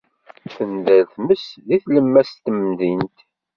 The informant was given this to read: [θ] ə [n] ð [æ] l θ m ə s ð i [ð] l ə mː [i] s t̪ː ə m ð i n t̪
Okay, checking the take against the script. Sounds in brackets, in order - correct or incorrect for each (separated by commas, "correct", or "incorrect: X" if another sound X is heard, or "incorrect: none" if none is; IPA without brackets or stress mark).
correct, correct, correct, incorrect: θ, incorrect: æ